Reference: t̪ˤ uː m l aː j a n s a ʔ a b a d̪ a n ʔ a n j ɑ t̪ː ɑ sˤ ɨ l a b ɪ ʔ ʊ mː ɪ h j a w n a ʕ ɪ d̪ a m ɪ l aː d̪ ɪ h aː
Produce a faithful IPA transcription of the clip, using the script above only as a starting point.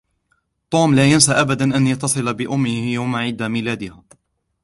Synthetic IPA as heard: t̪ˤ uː m l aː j a n s a ʔ a b a d̪ a n ʔ a n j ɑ t̪ː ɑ sˤ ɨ l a b ɪ ʔ ʊ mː ɪ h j a w m a ʕ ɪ d̪ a m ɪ l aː d̪ ɪ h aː